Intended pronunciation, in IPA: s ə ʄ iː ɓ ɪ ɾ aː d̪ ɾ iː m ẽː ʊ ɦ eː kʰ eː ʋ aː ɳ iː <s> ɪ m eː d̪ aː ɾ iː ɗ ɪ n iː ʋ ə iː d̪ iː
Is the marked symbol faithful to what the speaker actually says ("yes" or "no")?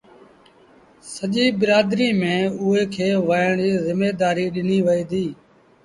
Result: no